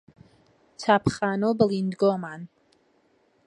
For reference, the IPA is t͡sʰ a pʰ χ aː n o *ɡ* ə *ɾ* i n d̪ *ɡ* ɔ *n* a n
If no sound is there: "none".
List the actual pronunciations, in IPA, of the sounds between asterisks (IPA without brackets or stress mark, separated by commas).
b, l, ɡ, m